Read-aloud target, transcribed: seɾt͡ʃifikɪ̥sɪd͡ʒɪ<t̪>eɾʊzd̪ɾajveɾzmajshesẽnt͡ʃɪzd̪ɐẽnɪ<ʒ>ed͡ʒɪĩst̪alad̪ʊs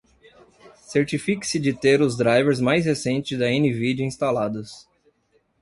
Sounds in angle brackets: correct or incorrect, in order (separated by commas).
correct, incorrect